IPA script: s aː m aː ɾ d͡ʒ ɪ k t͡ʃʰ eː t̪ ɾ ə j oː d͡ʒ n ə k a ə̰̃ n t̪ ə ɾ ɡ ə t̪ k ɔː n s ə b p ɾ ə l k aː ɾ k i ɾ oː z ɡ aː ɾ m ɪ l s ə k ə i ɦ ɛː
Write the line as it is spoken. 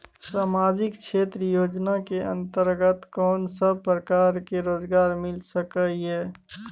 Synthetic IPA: s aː m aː d͡ʒ ɪ k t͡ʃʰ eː t̪ ɾ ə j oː d͡ʒ n a k e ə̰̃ n t̪ ə ɾ ɡ ə t̪ k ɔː n s ə b p ɾ ə k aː ɾ k e ɾ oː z ɡ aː ɾ m ɪ l s ə k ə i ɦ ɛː

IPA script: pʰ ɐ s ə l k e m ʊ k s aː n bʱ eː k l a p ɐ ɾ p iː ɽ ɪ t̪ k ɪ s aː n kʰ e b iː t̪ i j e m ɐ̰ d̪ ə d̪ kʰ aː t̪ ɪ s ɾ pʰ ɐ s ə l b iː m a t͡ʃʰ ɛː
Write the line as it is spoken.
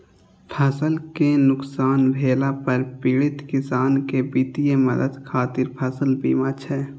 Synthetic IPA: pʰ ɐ s ə l k e n ʊ k s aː n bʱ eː l a p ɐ ɾ p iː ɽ ɪ t̪ k ɪ s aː n k e b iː t̪ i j e m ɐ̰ d̪ ə d̪ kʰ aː t̪ ɪ ɾ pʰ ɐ s ə l b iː m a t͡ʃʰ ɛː

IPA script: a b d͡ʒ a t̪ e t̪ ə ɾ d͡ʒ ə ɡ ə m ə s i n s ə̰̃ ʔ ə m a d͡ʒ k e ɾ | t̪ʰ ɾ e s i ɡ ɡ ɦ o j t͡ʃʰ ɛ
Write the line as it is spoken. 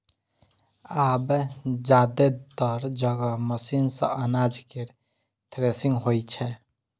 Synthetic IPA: a b d͡ʒ a d̪ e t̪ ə ɾ d͡ʒ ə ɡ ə m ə s i n s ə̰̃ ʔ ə n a d͡ʒ k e ɾ | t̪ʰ ɾ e s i ŋ ɡ ɦ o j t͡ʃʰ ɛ

